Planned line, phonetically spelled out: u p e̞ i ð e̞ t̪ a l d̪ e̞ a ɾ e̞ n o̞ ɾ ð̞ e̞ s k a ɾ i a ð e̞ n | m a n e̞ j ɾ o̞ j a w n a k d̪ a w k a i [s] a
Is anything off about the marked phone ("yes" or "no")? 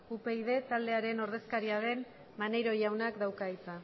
yes